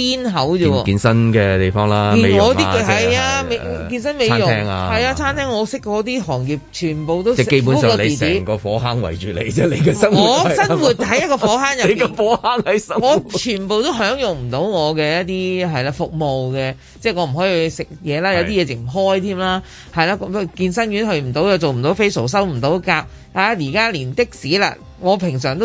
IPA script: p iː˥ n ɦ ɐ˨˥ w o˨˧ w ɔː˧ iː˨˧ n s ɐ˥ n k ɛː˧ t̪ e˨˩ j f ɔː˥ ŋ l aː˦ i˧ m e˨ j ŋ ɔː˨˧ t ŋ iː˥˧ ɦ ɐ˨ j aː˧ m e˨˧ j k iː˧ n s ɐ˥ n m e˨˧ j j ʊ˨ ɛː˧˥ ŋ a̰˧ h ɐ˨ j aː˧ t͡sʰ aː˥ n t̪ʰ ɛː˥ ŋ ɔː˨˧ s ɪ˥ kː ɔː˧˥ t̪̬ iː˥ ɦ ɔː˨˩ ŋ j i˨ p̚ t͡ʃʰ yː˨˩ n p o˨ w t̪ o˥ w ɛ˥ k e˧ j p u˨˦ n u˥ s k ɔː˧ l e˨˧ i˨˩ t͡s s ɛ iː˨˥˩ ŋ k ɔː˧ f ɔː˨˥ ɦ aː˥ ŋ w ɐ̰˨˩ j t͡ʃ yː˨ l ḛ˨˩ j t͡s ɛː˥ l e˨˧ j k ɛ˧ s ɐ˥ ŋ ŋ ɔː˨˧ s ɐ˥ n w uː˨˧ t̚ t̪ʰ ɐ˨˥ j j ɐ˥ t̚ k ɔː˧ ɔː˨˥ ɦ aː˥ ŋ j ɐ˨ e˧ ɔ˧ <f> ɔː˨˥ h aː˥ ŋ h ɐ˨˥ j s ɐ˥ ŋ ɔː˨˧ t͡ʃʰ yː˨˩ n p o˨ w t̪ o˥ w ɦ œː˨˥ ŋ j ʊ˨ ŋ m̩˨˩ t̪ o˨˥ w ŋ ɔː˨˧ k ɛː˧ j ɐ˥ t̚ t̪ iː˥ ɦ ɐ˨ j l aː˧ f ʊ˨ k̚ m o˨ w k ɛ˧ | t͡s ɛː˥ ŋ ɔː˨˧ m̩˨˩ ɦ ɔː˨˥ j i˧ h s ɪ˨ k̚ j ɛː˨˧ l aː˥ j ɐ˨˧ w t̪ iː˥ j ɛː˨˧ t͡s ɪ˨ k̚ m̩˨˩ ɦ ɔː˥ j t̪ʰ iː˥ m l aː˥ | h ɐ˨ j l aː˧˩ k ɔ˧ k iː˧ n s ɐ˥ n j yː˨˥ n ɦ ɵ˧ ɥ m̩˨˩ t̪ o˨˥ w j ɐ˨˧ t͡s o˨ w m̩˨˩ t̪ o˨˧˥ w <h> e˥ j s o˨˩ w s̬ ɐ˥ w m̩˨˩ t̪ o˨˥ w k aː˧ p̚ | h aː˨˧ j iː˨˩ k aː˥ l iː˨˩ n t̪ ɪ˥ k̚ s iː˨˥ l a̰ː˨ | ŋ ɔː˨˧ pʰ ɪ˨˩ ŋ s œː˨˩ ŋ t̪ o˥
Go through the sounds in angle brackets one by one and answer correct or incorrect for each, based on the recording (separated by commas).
correct, incorrect